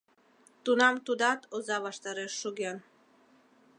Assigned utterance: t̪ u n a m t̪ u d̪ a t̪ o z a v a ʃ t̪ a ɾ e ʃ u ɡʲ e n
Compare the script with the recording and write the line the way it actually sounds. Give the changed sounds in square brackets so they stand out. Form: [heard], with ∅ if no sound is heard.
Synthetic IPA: t̪ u n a m t̪ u d̪ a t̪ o z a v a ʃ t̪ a ɾ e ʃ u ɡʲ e n